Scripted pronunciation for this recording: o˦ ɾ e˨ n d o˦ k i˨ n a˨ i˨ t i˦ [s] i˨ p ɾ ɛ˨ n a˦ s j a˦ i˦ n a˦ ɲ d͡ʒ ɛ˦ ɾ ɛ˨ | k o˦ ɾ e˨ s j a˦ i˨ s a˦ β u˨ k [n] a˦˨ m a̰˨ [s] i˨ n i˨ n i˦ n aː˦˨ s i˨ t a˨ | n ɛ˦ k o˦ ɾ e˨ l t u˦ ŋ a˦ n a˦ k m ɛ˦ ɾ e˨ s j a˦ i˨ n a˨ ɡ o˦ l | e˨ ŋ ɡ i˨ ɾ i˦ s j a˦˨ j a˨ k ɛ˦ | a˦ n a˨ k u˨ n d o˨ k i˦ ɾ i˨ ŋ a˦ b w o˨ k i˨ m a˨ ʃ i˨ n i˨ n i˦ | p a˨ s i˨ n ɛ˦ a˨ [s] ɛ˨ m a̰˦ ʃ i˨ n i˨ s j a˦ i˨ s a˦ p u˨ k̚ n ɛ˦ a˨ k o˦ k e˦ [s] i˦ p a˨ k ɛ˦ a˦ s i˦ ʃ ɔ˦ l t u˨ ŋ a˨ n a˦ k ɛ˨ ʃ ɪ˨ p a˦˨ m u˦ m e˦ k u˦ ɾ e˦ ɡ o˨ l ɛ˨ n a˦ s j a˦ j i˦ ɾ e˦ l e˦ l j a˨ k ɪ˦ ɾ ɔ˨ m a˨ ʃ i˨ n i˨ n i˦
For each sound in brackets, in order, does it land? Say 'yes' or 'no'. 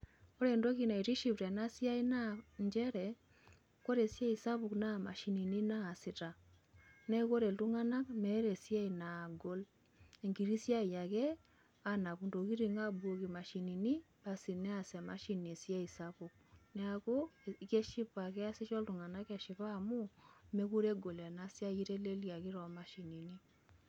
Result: no, yes, no, yes, no

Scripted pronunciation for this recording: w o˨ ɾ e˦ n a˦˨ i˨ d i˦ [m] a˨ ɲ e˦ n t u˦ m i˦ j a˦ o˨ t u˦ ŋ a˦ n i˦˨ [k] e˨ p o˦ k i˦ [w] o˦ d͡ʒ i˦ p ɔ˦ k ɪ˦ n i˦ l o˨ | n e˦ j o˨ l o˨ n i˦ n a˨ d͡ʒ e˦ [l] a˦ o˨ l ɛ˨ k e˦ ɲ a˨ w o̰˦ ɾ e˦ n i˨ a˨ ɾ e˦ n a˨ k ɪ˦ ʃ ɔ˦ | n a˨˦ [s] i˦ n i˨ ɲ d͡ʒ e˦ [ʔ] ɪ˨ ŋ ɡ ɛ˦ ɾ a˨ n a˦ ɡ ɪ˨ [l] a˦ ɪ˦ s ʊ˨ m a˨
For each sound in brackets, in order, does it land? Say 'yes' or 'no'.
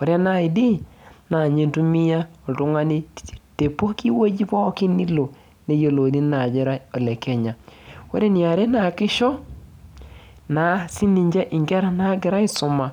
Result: no, no, yes, no, yes, yes, no

